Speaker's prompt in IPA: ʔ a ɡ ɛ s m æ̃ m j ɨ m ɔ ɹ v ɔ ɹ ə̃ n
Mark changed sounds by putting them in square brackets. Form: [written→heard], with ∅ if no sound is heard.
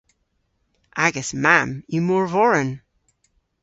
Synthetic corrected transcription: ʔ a ɡ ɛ s m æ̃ m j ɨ m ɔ ɹ v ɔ ɹ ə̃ n